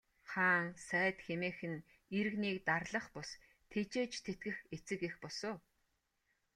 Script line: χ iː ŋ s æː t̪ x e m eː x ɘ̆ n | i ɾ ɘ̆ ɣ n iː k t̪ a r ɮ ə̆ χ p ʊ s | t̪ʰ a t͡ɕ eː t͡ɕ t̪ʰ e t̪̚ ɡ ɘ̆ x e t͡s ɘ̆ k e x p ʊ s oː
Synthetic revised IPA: χ aː ŋ s æː t̪ x e m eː x ɘ̆ n | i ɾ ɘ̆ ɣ n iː k t̪ a r ɮ ə̆ χ p ʊ s | t̪ʰ e t͡ɕ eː t͡ɕ t̪ʰ e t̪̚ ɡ ɘ̆ x e t͡s ɘ̆ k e x p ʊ s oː